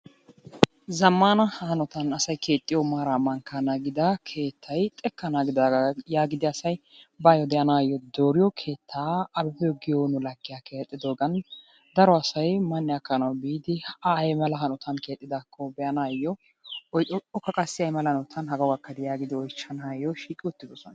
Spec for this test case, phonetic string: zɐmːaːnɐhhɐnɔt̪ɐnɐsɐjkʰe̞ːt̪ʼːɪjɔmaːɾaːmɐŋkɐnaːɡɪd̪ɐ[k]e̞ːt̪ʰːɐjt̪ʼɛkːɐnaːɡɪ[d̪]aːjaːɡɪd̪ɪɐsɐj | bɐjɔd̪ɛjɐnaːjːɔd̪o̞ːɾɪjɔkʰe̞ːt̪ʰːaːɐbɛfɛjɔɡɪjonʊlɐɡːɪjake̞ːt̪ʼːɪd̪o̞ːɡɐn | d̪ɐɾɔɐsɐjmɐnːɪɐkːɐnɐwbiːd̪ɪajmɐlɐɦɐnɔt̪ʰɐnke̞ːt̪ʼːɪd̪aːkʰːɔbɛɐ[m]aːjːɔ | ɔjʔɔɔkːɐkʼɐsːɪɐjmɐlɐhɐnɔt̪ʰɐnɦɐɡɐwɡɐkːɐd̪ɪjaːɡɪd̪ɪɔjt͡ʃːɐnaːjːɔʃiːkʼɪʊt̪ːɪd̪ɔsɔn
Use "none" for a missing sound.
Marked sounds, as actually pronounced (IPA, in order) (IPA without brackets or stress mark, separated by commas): kʰ, d̪, n